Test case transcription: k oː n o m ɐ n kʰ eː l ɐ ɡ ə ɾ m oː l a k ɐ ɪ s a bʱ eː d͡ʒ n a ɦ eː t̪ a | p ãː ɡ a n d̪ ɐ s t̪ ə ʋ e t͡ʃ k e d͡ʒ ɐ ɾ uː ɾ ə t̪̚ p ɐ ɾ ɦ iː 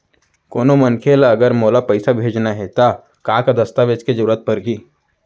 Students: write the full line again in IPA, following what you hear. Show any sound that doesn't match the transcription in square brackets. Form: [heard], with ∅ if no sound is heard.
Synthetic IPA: k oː n o m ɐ n kʰ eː l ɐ ɡ ə ɾ m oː l a [p] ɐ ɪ s a bʱ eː d͡ʒ n a ɦ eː t̪ a | [k] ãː [k] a [∅] d̪ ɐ s t̪ [a] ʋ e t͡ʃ k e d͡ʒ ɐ ɾ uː ɾ ə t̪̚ p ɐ ɾ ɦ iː